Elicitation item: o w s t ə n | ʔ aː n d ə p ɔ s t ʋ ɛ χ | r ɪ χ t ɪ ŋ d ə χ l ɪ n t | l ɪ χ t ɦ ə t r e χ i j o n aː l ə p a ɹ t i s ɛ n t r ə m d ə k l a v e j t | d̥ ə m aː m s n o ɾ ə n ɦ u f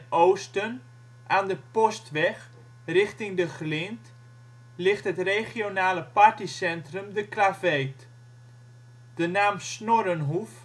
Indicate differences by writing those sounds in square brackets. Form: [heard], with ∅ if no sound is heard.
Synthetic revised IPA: o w s t ə n | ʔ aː n d ə p ɔ s t ʋ ɛ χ | r ɪ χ t ɪ ŋ d ə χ l ɪ n t | l ɪ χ t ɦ ə t r e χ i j o n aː l ə p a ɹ t i s ɛ n t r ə m d ə k l a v e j t | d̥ ə [n] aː m s n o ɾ ə n ɦ u f

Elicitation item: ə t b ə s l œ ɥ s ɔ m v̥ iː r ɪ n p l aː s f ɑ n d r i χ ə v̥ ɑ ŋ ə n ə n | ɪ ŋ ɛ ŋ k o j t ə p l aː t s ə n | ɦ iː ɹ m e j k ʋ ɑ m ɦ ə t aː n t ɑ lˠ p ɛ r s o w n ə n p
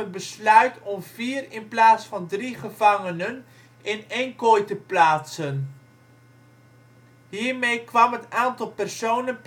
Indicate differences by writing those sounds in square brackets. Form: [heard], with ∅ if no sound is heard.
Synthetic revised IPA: ə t b ə s l œ ɥ [t] ɔ m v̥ iː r ɪ n p l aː s f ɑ n d r i χ ə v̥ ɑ ŋ ə n ə n | ɪ [n] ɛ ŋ k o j t ə p l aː t s ə n | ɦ iː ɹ m e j k ʋ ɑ m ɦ ə t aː n t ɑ lˠ p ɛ r s o w n ə n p

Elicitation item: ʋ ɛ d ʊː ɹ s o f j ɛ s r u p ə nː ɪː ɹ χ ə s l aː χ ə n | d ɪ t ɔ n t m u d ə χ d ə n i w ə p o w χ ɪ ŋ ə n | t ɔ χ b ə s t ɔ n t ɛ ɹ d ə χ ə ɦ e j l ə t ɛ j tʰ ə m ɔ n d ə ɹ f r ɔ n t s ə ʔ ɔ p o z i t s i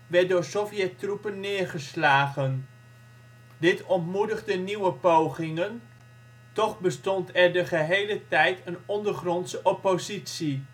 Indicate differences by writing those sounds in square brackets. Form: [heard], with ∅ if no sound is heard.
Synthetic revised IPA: ʋ ɛ d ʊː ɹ s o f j ɛ [t] r u p ə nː ɪː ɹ χ ə s l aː χ ə n | d ɪ t ɔ n t m u d ə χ d ə n i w ə p o w χ ɪ ŋ ə n | t ɔ χ b ə s t ɔ n t ɛ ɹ d ə χ ə ɦ e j l ə t ɛ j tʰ ə [n] ɔ n d ə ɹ [χ] r ɔ n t s ə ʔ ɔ p o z i t s i

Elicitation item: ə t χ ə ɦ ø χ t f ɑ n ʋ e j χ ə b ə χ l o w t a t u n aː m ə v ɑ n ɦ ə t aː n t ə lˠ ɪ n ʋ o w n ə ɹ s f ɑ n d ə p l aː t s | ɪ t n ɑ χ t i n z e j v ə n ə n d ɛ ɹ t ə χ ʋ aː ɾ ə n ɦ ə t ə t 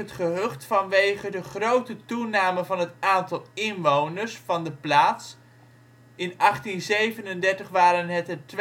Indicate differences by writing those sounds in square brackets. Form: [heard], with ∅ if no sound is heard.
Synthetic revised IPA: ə t χ ə ɦ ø χ t f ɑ n ʋ e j χ ə [d] ə χ [r] o w t [ə] t u n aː m ə v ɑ n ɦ ə t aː n t [ɑ] lˠ ɪ n ʋ o w n ə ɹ s f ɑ n d ə p l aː t s | ɪ [∅] n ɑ χ t i n z e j v ə n ə n d ɛ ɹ t ə χ ʋ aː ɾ ə n ɦ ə t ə t

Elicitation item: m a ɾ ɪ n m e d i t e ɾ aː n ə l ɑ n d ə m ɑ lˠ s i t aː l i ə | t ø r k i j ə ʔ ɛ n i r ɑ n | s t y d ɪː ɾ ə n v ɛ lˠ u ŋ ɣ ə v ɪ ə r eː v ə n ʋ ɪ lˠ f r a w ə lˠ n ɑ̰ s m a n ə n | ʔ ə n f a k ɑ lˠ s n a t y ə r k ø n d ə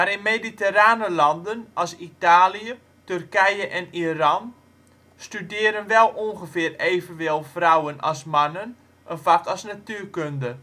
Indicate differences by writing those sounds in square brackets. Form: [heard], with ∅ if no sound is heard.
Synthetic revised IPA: m a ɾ ɪ n m e d i t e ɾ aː n ə l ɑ n d ə [n] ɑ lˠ s i t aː l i ə | t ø r k [ɛ] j ə ʔ ɛ n i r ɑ n | s t y d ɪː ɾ ə n [ʋ] ɛ lˠ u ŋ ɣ ə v ɪ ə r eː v ə n ʋ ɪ lˠ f r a w ə [∅] n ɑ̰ s m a n ə n | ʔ ə n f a k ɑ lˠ s n a t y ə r k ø n d ə

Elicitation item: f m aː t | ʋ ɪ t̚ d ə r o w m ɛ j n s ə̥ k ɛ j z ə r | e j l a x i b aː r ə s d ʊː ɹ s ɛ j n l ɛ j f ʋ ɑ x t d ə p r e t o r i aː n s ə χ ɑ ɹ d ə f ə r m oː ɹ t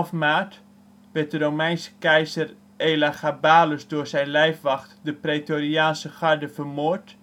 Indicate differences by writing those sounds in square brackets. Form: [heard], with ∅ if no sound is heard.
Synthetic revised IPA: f m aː t | ʋ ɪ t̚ d ə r o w m ɛ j n s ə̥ k ɛ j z ə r | e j l a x [a] b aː [l] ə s d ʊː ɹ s ɛ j n l ɛ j f ʋ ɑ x t d ə p r e t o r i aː n s ə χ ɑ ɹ d ə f ə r m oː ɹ t

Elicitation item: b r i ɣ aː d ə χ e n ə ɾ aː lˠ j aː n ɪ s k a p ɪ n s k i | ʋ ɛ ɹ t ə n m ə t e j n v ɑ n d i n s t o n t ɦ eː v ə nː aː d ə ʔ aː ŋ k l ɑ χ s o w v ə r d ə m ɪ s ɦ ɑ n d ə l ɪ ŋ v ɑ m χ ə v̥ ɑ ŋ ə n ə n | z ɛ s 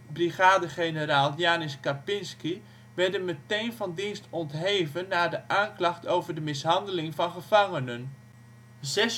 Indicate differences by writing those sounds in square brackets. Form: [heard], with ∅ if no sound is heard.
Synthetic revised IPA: b r i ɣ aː d ə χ e n ə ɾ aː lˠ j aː n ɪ s k a p ɪ n s k i | ʋ ɛ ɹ [d] ə n m ə t e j n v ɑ n d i n s t [ɔ] n t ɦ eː v ə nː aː d ə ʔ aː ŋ k l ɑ χ [t] o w v ə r d ə m ɪ s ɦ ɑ n d ə l ɪ ŋ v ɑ [n] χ ə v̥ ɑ ŋ ə n ə n | z ɛ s

